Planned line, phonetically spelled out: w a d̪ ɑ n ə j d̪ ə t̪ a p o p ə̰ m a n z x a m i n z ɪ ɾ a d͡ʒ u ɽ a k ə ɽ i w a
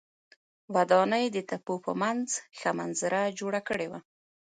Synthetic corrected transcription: w a d̪ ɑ n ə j d̪ ə t̪ a p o p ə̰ m a n z x a m a n z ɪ ɾ a d͡ʒ o ɽ a k ə ɽ e w a